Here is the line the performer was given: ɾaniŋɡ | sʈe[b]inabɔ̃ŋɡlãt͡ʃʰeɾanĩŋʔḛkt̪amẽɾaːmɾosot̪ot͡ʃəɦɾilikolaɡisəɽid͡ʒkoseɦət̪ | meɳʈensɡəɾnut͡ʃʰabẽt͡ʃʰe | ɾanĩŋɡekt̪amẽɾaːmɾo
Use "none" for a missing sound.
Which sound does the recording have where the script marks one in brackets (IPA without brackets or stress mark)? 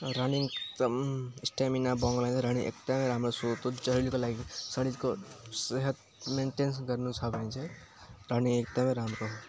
m